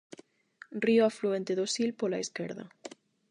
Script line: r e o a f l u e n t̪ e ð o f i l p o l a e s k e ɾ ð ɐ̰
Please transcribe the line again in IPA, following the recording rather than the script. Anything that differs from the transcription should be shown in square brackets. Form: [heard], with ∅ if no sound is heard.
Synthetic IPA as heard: r [i] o a f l u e n t̪ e ð o [s] i l p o l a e s k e ɾ ð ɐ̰